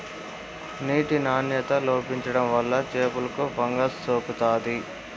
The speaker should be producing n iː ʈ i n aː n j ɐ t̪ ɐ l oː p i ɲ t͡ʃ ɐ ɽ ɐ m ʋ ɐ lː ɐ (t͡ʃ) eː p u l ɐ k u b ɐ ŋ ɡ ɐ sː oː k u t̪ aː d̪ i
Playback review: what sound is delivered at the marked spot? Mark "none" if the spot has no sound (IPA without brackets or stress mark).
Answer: t͡ʃ